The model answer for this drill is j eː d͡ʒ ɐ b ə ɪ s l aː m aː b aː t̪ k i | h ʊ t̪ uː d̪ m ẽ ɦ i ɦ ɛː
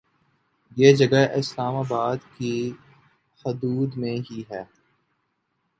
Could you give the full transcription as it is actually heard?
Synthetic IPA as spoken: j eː d͡ʒ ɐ ɡ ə ɪ s l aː m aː b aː d̪ k i | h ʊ d̪ uː d̪ m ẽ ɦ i ɦ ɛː